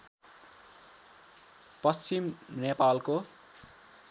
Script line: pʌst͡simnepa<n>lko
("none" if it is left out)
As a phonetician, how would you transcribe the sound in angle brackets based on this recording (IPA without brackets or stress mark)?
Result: none